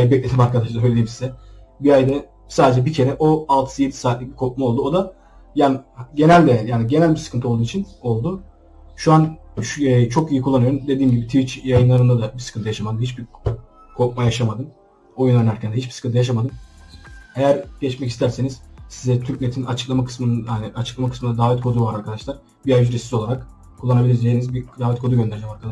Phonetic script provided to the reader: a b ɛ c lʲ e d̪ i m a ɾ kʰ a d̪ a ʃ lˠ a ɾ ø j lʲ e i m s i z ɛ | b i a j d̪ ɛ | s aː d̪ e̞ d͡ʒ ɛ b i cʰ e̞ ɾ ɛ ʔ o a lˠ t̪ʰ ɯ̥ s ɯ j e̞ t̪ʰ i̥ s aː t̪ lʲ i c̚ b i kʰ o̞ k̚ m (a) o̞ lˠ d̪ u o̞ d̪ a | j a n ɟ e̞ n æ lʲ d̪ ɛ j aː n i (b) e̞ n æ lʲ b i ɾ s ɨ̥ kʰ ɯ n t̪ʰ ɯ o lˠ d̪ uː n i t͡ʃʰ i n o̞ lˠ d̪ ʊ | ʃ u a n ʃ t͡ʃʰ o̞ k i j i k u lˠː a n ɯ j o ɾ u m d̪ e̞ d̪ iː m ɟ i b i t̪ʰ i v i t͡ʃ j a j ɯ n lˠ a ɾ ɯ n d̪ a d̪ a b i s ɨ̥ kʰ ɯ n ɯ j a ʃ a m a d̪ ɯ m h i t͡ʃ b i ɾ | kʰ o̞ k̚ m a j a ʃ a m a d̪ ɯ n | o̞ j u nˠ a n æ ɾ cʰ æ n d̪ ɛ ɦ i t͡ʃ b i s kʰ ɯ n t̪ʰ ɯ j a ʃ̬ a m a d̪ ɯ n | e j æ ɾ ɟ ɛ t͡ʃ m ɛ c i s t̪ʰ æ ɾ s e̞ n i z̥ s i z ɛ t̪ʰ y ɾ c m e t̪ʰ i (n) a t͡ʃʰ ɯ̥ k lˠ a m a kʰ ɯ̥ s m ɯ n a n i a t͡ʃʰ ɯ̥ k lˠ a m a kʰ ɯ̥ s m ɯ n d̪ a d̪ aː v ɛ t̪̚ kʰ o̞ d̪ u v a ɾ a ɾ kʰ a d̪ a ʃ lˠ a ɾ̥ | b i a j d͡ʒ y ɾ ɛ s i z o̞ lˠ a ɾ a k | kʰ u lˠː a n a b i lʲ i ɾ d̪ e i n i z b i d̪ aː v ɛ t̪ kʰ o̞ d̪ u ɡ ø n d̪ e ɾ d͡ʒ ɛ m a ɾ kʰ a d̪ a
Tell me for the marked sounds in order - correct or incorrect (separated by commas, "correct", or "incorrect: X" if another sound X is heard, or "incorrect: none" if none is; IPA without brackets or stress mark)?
correct, incorrect: ɟ, correct